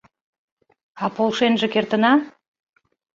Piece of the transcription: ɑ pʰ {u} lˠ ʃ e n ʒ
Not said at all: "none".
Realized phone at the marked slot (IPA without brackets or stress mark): o